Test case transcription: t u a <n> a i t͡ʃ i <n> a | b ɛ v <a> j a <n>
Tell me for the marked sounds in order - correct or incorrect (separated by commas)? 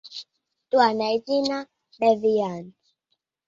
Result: correct, correct, incorrect, correct